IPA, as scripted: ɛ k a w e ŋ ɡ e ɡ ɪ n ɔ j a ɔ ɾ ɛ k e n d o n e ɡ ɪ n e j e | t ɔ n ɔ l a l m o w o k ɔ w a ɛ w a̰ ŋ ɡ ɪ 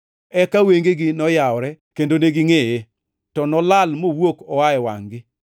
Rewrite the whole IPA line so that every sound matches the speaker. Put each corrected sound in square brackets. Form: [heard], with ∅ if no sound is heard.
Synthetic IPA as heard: ɛ k a w e ŋ ɡ e ɡ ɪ n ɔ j a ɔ ɾ ɛ k e n d o n e ɡ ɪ [ŋ] e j e | t ɔ n ɔ l a l m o w o k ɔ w a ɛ w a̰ ŋ ɡ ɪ